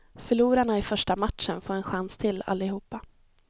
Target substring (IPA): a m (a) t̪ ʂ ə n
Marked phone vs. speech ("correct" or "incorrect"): correct